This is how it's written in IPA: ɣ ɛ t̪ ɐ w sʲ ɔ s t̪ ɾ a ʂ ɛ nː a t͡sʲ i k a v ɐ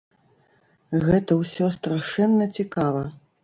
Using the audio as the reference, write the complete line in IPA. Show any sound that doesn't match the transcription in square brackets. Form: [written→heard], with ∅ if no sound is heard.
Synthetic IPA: ɣ ɛ t̪ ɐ w sʲ ɔ s t̪ ɾ a ʂ ɛ nː [a→ɐ] t͡sʲ i k a v ɐ